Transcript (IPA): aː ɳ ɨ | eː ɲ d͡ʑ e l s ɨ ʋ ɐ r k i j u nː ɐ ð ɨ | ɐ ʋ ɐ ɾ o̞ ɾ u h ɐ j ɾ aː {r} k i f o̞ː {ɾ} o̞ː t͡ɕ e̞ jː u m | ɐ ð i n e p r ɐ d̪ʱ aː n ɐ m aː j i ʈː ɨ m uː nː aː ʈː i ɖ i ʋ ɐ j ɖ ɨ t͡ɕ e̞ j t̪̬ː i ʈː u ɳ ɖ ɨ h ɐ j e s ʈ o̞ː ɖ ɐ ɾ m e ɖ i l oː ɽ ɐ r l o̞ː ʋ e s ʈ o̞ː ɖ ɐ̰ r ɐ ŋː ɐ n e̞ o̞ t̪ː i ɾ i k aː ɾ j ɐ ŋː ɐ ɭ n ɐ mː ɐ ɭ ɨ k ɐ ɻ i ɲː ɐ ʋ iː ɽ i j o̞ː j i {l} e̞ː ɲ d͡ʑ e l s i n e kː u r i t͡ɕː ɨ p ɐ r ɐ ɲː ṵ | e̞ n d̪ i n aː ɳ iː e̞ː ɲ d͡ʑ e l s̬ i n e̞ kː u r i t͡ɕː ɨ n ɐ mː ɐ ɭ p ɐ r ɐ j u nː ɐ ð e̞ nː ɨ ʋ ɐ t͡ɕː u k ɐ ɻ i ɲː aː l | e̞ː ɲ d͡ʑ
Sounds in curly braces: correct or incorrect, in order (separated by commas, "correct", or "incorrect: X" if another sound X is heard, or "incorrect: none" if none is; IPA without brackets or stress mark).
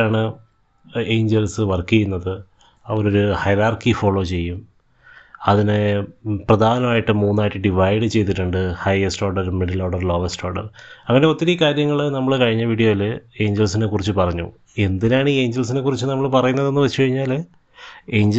correct, incorrect: ɭ, correct